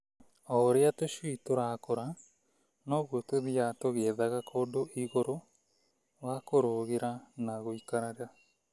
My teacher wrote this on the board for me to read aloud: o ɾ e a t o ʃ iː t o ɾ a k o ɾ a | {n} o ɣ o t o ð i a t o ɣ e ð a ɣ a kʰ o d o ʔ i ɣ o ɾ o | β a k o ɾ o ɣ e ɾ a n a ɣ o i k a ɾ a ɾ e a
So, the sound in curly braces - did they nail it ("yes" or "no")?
yes